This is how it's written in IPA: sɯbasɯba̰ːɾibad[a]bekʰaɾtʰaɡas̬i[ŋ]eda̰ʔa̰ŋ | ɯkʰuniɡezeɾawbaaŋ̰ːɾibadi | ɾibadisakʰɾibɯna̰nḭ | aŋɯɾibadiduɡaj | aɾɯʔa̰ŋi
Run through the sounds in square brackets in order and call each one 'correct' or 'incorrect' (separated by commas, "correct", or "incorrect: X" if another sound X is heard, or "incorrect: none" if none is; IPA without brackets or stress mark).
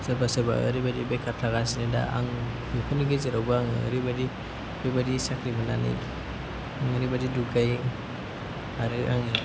incorrect: i, incorrect: n